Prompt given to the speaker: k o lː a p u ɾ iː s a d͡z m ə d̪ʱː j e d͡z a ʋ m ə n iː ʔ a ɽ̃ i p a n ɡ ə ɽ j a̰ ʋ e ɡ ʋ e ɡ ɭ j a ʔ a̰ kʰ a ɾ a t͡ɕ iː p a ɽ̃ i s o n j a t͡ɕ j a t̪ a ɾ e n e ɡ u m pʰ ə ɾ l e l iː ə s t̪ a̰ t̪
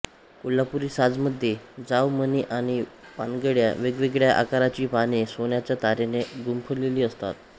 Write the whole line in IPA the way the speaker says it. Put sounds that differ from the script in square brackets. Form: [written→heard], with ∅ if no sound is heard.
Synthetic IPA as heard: k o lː a p u ɾ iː s a d͡z m ə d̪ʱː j e d͡z a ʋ m ə n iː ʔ a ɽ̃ i p a n ɡ ə ɽ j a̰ ʋ e ɡ ʋ e ɡ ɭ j a ʔ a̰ [kʰ→k] a ɾ a t͡ɕ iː p a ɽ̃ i s o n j a t͡ɕ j a t̪ a ɾ e n e ɡ u m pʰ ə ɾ l e l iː ə s t̪ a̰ t̪